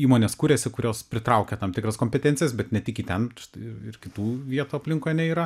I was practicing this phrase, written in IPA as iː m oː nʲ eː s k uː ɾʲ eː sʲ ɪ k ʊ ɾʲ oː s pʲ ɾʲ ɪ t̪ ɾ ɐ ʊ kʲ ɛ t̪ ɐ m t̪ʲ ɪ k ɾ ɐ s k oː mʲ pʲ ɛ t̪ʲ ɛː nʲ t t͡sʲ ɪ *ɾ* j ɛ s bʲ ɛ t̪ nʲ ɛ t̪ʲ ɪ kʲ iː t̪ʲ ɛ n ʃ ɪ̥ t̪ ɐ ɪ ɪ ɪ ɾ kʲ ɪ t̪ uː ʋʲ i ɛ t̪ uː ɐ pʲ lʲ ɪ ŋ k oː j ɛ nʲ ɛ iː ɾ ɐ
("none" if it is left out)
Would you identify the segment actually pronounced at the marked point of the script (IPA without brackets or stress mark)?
none